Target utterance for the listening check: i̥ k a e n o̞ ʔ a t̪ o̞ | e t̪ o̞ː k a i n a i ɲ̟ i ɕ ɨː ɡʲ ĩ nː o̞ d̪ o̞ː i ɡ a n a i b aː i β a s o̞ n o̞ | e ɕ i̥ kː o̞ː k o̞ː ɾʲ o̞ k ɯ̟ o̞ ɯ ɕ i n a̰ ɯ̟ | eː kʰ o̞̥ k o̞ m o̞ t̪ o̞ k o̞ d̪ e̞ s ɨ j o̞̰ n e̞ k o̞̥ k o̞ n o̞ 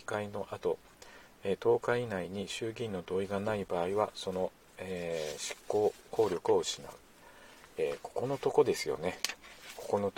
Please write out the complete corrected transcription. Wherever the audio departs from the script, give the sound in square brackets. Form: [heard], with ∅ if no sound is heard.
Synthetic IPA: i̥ k a [i] n o̞ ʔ a t̪ o̞ | e t̪ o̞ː k a i n a i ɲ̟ i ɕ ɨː ɡʲ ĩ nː o̞ d̪ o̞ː i ɡ a n a i b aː i β a s o̞ n o̞ | e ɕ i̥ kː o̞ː k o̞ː ɾʲ o̞ k ɯ̟ o̞ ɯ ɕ i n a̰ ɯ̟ | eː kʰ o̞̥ k o̞ [n] o̞ t̪ o̞ k o̞ d̪ e̞ s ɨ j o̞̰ n e̞ k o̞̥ k o̞ n o̞